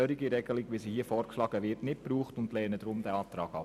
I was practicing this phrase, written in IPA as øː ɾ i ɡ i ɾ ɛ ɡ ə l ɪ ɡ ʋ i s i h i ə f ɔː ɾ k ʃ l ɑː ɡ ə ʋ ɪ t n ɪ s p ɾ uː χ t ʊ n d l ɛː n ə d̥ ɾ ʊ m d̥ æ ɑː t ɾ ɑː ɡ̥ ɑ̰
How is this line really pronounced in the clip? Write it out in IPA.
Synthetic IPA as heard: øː ɾ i ɡ i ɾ ɛ ɡ ə l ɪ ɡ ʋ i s i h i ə f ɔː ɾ k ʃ l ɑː ɡ ə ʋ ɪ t n ɪ t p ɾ uː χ t ʊ n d l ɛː n ə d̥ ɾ ʊ m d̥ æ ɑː t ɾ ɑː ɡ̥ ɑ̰